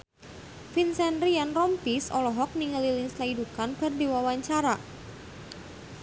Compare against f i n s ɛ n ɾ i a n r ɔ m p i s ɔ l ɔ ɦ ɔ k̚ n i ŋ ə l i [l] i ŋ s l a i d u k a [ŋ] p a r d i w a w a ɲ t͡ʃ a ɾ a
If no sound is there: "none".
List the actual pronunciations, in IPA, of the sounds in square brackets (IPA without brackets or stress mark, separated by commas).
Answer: l, n